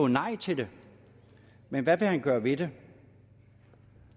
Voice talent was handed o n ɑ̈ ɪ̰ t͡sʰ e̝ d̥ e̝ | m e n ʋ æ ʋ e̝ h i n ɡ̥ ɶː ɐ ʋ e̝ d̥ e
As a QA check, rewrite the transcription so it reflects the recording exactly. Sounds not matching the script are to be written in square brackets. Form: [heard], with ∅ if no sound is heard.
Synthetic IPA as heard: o n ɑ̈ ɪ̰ t͡sʰ e̝ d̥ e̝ | m e n ʋ æ ʋ e̝ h [æ] n ɡ̥ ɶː ɐ ʋ e̝ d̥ e

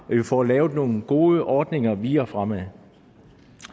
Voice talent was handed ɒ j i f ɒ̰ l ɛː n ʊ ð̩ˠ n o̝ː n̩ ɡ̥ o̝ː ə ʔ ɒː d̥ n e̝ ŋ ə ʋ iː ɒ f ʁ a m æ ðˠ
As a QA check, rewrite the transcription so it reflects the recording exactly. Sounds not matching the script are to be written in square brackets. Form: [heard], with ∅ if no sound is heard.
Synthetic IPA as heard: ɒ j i f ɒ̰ l ɛː [∅] ʊ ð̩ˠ n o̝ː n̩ ɡ̥ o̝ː ə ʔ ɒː d̥ n e̝ ŋ [ɐ] ʋ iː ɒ f ʁ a m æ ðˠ

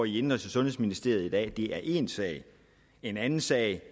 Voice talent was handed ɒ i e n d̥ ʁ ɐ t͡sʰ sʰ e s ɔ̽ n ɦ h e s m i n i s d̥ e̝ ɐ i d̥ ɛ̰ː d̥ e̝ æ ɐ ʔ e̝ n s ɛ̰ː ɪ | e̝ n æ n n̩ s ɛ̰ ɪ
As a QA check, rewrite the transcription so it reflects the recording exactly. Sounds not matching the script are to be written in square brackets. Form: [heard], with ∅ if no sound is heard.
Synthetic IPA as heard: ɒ i e n d̥ ʁ ɐ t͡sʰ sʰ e s ɔ̽ n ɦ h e s m i n i s d̥ e̝ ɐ i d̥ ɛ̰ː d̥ e̝ æ ɐ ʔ e̝ n s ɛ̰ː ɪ | e̝ n æ n n̩ s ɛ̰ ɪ

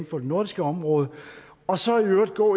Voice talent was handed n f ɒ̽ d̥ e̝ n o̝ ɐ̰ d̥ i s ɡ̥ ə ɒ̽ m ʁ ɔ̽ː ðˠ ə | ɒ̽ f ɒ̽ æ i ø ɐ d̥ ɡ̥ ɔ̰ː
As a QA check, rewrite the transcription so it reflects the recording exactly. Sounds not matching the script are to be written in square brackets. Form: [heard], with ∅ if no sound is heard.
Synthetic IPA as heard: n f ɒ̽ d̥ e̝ n o̝ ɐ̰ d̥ i s ɡ̥ ə ɒ̽ m ʁ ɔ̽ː ðˠ ə | ɒ̽ [s] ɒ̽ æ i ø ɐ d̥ ɡ̥ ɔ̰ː

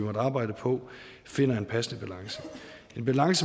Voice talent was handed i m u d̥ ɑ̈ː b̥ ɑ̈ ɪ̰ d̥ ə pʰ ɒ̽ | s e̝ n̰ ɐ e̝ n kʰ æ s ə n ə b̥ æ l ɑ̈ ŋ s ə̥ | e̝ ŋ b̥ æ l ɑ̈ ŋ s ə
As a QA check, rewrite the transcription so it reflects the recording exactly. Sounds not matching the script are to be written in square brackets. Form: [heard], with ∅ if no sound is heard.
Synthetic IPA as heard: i m [ɒ] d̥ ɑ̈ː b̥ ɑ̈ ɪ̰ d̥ ə pʰ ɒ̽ | [f] e̝ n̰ ɐ e̝ n [pʰ] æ s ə n ə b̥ æ l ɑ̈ ŋ s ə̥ | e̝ [n] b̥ æ l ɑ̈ ŋ s ə

